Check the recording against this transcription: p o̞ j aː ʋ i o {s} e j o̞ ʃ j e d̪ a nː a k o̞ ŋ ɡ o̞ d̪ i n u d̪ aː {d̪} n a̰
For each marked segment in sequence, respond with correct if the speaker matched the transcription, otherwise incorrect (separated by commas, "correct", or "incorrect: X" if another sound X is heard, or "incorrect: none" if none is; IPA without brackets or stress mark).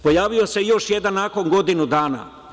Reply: correct, incorrect: none